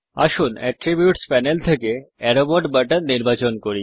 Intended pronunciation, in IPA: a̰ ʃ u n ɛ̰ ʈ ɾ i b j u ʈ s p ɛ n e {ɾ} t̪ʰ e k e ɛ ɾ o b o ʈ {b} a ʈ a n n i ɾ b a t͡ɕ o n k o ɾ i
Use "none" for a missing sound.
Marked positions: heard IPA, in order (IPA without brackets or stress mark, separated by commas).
l, b